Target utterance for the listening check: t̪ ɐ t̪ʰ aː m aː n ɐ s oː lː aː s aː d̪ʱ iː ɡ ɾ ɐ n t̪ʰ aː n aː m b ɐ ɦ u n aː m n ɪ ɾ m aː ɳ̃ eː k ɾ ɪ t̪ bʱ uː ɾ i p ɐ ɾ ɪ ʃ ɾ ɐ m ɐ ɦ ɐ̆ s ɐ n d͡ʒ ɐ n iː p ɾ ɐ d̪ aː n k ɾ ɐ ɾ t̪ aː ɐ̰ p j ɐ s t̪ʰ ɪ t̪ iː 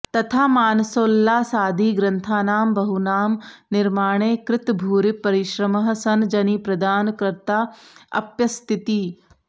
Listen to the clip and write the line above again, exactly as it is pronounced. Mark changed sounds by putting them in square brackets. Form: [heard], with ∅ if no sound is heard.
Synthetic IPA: t̪ ɐ t̪ʰ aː m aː n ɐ s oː lː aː s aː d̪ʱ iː ɡ ɾ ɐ n t̪ʰ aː n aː m b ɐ ɦ u n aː m n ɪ ɾ m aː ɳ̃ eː k ɾ ɪ t̪ bʱ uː ɾ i p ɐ ɾ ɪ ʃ ɾ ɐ m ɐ ɦ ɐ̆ s ɐ n d͡ʒ ɐ n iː p ɾ ɐ d̪ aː n k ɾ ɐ ɾ t̪ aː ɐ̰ p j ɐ s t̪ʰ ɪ t̪ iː